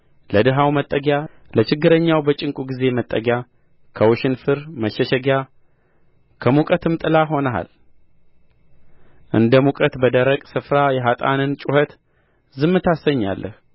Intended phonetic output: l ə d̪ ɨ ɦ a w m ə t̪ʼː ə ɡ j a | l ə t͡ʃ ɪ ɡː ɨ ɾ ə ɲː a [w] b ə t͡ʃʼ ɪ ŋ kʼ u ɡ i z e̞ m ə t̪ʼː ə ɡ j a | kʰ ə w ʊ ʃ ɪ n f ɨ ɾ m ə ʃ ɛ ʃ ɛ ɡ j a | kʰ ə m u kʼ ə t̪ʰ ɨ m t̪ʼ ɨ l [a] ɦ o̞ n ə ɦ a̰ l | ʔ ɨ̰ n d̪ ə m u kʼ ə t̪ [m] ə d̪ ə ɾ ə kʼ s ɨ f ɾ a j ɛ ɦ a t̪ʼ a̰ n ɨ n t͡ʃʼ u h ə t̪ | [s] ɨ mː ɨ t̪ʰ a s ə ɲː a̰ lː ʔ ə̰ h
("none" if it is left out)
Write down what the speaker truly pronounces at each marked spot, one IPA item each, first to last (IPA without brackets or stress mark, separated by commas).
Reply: w, a, b, z